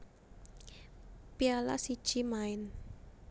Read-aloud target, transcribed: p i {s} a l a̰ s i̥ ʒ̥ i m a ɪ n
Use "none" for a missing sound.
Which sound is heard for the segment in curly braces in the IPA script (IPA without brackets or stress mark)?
none